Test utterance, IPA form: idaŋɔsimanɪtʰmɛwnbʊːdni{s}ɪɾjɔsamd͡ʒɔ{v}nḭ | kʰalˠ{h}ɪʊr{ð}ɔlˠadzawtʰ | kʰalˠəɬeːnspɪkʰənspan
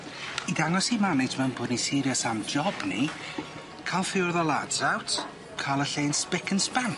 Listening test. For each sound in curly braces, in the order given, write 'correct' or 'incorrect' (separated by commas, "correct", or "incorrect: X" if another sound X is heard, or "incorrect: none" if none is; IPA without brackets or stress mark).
correct, incorrect: b, incorrect: f, correct